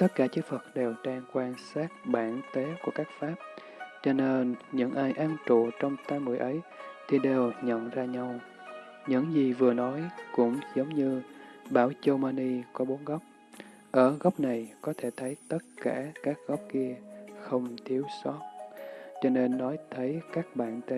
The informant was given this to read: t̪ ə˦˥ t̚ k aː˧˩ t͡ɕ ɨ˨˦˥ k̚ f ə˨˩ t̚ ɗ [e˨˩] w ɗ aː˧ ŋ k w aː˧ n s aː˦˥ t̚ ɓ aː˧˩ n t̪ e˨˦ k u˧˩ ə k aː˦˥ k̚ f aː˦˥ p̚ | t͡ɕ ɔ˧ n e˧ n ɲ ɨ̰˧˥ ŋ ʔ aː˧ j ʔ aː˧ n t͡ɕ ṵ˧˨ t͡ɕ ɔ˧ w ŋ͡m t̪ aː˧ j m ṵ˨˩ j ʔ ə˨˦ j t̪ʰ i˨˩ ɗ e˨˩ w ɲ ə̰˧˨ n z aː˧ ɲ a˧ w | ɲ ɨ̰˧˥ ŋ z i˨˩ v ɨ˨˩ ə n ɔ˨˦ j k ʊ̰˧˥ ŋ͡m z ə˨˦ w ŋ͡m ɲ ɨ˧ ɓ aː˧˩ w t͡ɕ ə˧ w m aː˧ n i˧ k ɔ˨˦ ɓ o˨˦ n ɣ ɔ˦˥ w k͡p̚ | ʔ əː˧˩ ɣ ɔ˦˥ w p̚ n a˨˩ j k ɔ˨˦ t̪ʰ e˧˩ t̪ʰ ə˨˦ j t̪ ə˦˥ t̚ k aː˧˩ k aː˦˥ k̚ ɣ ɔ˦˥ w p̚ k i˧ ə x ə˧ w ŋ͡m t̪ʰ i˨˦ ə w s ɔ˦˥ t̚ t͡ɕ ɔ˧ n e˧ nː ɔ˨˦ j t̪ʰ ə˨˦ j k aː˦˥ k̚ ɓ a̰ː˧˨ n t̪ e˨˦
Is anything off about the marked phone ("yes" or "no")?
no